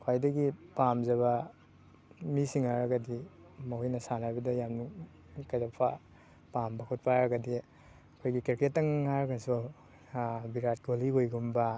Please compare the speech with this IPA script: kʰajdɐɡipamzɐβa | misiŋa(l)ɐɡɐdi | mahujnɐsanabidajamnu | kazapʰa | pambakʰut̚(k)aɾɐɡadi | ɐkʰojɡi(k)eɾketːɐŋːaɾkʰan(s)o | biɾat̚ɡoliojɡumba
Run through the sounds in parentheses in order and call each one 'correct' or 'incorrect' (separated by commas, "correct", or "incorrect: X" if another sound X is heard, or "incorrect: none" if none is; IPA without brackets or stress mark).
incorrect: ɾ, incorrect: p, correct, correct